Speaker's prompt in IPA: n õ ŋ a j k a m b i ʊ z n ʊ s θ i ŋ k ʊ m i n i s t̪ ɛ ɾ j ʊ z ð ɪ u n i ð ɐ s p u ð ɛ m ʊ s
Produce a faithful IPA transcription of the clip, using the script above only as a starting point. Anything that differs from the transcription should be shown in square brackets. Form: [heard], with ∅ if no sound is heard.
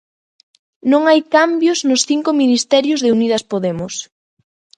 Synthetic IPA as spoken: n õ ŋ a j k a m b [j] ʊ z n ʊ s θ i ŋ k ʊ m i n i s t̪ ɛ ɾ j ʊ z ð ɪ u n i ð ɐ s p [o] ð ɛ m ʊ s